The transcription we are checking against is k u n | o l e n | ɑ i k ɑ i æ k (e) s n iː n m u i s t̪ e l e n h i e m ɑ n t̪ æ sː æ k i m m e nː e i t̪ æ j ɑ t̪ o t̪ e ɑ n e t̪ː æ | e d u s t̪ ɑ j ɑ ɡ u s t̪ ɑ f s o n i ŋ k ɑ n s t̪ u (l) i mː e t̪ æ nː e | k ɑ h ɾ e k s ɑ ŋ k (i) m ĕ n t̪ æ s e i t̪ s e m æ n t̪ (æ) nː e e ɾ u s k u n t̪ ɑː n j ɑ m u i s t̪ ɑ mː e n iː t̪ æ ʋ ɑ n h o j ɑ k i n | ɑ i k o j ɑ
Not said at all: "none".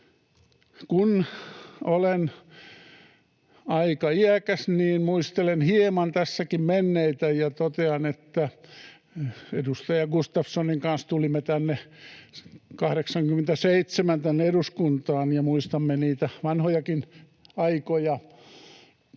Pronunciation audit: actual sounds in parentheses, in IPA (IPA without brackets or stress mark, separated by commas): æ, l, y, æ